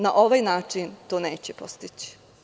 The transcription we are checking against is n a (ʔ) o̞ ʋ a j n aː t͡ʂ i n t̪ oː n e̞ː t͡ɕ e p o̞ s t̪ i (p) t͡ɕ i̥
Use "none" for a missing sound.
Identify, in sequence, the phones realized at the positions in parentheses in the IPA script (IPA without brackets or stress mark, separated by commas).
ʔ, none